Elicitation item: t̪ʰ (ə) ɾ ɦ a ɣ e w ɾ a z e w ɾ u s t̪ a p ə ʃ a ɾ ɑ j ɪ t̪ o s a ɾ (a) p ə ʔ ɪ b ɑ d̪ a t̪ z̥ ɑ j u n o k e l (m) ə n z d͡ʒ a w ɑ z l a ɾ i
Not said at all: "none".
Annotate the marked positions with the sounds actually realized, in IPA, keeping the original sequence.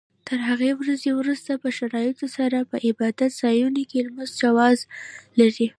ə, a, m

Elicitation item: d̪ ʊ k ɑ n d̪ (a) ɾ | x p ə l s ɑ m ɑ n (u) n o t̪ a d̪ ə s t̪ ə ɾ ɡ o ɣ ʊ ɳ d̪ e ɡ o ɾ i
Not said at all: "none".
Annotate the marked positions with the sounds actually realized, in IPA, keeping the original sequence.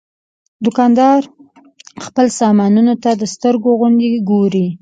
ɑ, u

